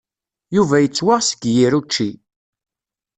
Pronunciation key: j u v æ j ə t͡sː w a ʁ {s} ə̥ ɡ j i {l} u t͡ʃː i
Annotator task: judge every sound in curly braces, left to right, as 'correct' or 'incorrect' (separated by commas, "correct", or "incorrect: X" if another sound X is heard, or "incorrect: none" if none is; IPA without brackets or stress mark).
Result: correct, incorrect: ɾ